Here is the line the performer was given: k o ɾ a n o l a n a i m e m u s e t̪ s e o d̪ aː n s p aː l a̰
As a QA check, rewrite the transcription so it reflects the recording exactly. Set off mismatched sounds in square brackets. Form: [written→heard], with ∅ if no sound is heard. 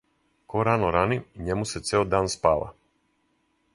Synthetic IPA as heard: k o ɾ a n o [l→ɾ] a n [a→i] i [m→ɲ] e m u s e t̪ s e o d̪ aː n s p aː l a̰